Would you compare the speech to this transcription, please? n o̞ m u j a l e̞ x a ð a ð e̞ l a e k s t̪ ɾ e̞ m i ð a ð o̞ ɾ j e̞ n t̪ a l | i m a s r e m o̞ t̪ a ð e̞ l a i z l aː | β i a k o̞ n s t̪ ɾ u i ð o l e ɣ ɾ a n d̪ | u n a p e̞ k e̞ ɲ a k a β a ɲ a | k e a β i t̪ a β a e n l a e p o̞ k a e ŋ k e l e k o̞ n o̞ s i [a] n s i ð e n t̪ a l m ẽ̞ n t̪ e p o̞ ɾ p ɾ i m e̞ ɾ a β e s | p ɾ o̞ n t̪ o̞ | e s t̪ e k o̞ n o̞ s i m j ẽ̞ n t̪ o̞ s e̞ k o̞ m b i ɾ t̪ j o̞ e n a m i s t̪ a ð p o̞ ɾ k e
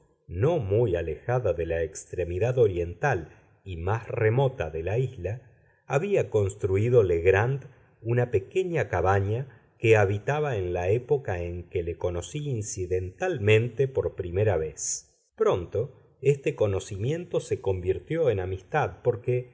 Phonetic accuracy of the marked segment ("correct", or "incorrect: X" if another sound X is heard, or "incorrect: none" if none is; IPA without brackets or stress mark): incorrect: i